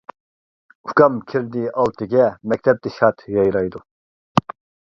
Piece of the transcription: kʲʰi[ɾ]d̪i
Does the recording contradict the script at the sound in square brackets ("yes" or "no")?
no